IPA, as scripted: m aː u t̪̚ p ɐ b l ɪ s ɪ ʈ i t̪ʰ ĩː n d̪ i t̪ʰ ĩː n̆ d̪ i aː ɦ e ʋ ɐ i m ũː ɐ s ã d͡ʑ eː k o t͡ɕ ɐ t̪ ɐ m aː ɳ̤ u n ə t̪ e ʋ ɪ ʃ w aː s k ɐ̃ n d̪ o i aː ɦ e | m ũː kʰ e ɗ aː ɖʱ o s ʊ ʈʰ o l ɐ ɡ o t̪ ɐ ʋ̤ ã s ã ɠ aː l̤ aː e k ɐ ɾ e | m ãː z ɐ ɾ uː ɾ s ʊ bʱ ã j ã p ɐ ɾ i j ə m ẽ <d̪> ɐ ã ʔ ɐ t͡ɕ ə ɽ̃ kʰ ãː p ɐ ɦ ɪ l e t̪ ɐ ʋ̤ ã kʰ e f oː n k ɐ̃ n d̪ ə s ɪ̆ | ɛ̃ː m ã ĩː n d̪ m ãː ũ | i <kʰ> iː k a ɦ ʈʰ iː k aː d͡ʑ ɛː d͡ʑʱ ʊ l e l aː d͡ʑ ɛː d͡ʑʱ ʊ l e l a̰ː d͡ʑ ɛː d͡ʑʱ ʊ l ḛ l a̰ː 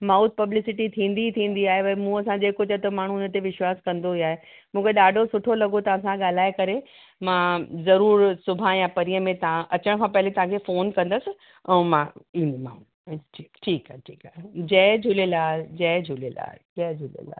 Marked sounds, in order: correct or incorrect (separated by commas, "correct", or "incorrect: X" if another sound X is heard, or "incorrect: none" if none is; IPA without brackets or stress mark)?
incorrect: t̪, incorrect: ʈʰ